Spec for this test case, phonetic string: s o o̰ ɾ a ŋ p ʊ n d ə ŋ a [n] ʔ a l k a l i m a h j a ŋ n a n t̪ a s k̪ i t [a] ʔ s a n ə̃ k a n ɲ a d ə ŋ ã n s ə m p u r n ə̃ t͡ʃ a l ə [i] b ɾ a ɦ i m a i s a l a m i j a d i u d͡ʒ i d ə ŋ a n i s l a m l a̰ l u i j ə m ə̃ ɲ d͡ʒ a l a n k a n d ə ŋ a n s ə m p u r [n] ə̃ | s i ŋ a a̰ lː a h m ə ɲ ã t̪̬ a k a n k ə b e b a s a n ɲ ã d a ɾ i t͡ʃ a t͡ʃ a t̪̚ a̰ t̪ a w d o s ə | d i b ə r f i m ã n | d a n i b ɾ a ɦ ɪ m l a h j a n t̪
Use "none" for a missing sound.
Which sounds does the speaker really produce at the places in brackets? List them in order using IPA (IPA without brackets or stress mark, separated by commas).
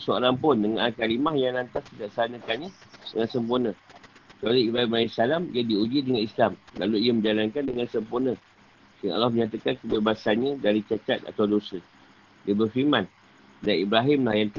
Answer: n, a, i, n